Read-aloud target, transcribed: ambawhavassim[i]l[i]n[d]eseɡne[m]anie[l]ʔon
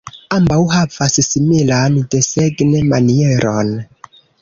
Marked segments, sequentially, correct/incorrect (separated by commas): correct, incorrect, correct, correct, incorrect